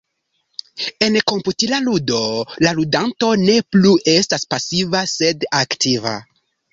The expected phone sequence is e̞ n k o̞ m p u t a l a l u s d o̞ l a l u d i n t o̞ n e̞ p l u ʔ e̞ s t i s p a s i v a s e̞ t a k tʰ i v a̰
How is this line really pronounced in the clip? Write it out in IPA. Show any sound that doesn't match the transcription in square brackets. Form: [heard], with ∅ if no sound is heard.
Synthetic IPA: e̞ n k o̞ m p u t [i] l a l u [∅] d o̞ l a l u d [a] n t o̞ n e̞ p l u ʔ e̞ s t [a] s p a s i v a s e̞ [d] a k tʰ i v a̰